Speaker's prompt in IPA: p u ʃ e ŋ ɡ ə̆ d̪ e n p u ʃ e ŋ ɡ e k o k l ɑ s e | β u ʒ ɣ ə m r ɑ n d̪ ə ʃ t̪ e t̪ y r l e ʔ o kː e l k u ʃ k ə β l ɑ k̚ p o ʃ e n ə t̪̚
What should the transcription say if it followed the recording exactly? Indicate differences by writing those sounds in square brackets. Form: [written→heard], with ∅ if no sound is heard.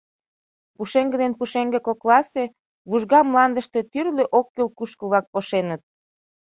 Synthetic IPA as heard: p u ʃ e ŋ ɡ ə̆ d̪ e n p u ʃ e ŋ ɡ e k o k l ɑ s e | β u ʒ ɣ [ə→ɑ] m [r→l] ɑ n d̪ ə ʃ t̪ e t̪ y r l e ʔ o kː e l k u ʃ k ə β l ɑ k̚ p o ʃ e n ə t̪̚